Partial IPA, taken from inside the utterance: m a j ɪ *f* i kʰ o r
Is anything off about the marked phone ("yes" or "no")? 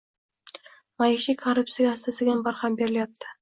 yes